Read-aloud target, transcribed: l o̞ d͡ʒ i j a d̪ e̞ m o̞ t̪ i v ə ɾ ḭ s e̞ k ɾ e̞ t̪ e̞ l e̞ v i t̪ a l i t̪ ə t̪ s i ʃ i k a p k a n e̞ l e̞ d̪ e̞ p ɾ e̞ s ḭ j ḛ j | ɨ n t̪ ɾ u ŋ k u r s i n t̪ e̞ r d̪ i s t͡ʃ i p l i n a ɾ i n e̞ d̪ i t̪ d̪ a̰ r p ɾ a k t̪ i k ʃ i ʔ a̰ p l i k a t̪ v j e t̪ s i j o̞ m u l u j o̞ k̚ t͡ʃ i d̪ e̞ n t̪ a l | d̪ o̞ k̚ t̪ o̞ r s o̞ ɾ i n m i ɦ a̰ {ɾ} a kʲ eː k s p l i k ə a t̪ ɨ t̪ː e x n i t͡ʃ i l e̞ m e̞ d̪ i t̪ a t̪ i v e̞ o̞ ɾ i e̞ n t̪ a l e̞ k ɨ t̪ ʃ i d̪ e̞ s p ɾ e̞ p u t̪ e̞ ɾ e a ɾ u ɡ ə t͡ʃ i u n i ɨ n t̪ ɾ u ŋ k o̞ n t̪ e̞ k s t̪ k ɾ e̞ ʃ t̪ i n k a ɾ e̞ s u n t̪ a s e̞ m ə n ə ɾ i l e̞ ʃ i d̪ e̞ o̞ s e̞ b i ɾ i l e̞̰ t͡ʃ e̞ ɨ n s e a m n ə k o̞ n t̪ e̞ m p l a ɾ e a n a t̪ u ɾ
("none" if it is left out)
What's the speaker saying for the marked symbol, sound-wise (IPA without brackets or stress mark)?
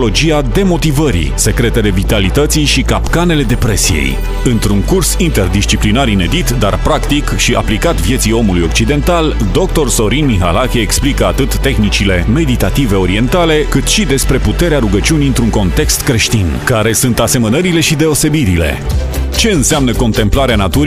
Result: l